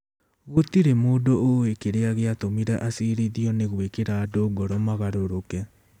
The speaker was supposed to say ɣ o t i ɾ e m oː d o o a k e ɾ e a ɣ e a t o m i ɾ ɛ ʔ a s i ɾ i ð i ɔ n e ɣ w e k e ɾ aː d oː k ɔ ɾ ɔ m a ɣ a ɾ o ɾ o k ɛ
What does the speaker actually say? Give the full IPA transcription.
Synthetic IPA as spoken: ɣ o t i ɾ e m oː d o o e k e ɾ e a ɣ e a t o m i ɾ ɛ ʔ a s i ɾ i ð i ɔ n e ɣ w e k e ɾ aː d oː ɡ ɔ ɾ ɔ m a ɣ a ɾ o ɾ o k ɛ